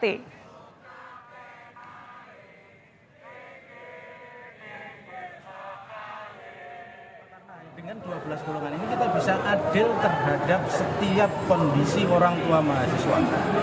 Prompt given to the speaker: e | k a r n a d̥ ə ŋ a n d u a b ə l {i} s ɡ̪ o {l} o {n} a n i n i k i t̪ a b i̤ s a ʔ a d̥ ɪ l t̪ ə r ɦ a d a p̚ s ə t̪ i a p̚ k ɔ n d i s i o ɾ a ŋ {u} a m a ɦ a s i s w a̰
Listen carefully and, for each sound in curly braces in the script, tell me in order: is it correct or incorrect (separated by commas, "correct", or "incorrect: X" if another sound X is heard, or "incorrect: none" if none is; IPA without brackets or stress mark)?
incorrect: a, correct, incorrect: ŋ, correct